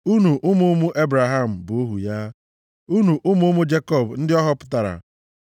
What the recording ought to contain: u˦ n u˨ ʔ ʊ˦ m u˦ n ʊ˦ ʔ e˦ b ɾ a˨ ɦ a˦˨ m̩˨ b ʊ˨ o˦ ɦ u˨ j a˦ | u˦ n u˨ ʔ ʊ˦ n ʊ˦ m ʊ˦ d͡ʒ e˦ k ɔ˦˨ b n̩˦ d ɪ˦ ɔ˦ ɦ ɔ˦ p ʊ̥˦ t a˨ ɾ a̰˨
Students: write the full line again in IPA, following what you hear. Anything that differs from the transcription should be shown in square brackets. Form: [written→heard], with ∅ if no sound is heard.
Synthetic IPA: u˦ n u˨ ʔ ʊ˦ m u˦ [n→m] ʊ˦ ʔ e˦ b ɾ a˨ ɦ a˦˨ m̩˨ b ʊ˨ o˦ ɦ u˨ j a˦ | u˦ n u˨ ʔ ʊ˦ [n→m] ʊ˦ m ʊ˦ d͡ʒ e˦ k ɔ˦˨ b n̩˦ d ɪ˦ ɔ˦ ɦ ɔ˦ p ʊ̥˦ t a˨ ɾ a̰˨